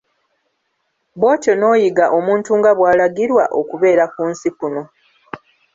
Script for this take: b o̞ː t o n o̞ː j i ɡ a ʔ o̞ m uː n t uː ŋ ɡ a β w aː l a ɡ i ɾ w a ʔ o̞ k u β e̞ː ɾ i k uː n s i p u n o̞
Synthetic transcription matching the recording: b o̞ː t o n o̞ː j i ɡ a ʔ o̞ m uː n t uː ŋ ɡ a β w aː l a ɡ i ɾ w a ʔ o̞ k u β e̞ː ɾ a k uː n s i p u n o̞